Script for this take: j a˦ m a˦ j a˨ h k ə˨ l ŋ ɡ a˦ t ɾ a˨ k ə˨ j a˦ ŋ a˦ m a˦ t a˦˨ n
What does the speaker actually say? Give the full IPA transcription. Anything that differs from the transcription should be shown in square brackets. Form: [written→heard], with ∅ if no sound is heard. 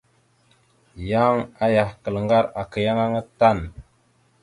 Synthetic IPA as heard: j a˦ [m→ŋ] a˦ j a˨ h k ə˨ l ŋ ɡ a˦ [t→∅] ɾ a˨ k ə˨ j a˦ ŋ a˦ [m→ŋ] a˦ t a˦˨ n